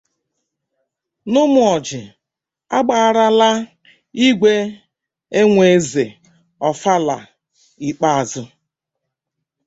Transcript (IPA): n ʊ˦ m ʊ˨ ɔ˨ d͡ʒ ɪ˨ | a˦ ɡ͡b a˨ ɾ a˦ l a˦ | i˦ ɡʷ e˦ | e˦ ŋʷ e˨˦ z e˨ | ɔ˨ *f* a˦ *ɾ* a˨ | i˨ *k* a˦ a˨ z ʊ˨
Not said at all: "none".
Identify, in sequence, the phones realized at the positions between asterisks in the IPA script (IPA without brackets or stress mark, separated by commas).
f, l, k͡p